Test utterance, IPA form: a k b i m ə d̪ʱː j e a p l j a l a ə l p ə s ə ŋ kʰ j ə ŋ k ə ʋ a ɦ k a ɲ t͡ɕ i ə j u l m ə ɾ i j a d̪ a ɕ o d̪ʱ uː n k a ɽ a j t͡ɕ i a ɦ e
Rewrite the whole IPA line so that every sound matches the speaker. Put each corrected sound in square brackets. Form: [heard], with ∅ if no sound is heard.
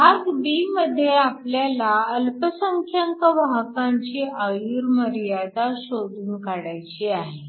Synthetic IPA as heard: a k b i m ə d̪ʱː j e a p l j a l a ə l p ə s ə ŋ kʰ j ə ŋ k ə ʋ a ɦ k a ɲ t͡ɕ i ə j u [ɾ] m ə ɾ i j a d̪ a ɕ o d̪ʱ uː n k a ɽ a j t͡ɕ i a ɦ e